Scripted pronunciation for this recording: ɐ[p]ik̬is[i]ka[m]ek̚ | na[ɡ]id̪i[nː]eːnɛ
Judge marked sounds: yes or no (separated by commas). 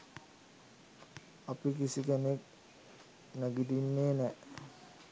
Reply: yes, yes, no, yes, yes